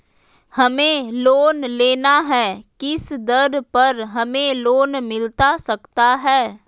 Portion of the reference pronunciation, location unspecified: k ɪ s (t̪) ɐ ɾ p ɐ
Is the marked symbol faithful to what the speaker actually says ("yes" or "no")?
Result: no